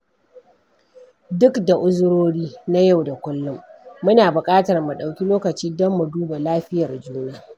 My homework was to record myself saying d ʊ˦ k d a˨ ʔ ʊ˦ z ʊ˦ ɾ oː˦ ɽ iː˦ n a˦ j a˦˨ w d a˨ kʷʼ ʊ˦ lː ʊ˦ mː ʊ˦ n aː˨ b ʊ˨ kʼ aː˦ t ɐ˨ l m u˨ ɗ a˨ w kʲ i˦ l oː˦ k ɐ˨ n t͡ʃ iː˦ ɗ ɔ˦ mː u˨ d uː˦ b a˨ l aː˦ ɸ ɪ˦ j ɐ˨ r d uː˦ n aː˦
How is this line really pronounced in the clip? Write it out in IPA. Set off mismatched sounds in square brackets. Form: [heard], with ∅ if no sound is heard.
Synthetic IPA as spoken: d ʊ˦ k d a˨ ʔ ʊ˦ z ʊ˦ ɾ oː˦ ɽ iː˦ n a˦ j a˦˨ w d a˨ [kʷ] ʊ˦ lː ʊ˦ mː ʊ˦ n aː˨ b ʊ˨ kʼ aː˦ t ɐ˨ [r] m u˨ ɗ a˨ w kʲ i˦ l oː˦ k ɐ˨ [∅] t͡ʃ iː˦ [d] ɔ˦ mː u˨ d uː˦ b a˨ l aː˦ ɸ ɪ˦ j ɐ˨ r [d͡ʒ] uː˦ n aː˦